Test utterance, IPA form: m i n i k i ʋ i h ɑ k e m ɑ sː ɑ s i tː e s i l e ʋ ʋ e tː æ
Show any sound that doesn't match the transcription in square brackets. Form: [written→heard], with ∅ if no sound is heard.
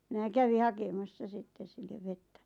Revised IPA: m i n [i→æ] k [i→æ] ʋ i h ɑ k e m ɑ sː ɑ s i tː e s i [l→lː] e ʋ ʋ e tː æ

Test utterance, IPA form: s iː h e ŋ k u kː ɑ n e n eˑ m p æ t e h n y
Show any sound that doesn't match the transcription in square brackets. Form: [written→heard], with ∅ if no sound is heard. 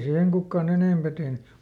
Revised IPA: s iː h e ŋ k u kː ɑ n e n eˑ m p æ t e h n y

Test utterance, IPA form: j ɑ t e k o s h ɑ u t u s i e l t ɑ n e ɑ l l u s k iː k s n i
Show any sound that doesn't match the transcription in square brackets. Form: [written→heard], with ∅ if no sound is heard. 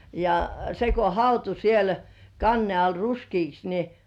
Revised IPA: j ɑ [t→s] e k o [s→∅] h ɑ u t u s i e l [t→k] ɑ [n→nː] e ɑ l [l→r] u s k iː k s n i

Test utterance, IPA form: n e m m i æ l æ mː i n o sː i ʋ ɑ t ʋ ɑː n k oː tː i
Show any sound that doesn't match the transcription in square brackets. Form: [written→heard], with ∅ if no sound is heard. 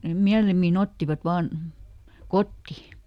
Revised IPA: n e m m i æ l [æ→i] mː i n o [sː→tː] i ʋ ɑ t ʋ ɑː n k [oː→o] tː i

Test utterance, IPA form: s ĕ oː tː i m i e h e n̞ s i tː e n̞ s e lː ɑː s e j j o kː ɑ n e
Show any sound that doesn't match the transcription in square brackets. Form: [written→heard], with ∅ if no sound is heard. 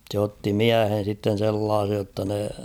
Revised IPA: s ĕ [oː→o] tː i m i [e→æ] h e n̞ s i tː e n̞ s e lː ɑː s e j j o [kː→tː] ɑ n e

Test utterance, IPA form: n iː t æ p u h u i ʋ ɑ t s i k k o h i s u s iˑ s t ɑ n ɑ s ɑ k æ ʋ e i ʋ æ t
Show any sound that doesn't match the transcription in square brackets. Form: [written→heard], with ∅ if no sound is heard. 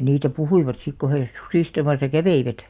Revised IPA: n iː t æ p u h u i ʋ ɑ t s i k k o h [i→e] s u s iˑ s t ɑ [n→m] ɑ s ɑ k æ ʋ e i ʋ æ t

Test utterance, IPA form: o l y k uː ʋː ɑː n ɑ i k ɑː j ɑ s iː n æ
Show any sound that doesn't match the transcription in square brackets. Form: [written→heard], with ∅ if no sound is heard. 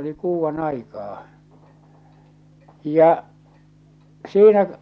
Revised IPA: o l [y→i] k uː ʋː [ɑː→ɑ] n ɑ i k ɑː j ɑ s iː n æ

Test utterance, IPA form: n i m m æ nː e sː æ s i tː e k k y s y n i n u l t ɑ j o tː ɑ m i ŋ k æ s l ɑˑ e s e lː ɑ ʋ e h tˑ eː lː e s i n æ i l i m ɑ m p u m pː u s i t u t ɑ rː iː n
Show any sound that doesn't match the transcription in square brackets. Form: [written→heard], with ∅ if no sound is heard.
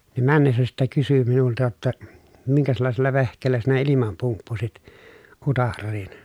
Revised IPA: n i m m æ nː e sː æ s i tː e k k y s y [n→m] i n u l t ɑ j o tː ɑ m i ŋ k æ s l ɑˑ e s e lː ɑ ʋ e h [tˑ→kˑ] eː lː [e→æ] s i n æ i l i m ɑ m p u m pː u s i t u t ɑ rː iː n

